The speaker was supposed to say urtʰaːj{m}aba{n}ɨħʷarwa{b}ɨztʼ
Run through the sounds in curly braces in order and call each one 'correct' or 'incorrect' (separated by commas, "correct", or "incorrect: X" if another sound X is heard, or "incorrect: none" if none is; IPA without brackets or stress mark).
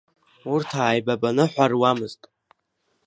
incorrect: b, correct, incorrect: m